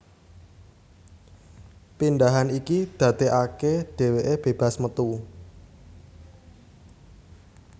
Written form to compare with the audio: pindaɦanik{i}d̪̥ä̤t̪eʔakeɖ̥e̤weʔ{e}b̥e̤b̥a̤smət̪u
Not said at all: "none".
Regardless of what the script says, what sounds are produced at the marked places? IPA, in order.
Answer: i, e

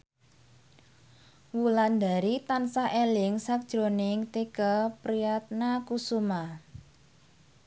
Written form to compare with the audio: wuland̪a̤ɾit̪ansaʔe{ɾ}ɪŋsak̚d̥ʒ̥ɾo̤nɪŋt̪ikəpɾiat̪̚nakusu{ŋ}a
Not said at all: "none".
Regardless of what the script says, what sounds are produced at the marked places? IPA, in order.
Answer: l, m

